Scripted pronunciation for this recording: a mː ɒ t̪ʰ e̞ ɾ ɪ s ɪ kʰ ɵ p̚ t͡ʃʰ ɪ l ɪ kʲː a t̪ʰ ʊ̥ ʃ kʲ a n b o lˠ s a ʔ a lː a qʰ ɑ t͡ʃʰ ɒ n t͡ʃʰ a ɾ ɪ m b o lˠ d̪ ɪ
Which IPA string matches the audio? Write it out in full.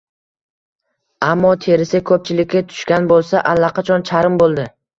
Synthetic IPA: a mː ɒ t̪ʰ e̞ ɾ ɪ s ɪ kʰ ɵ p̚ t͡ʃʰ ɪ l ɪ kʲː a t̪ʰ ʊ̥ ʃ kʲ a n b o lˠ s a ʔ a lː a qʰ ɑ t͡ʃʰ ɒ n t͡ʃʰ a ɾ ɪ m b o lˠ d̪ ɪ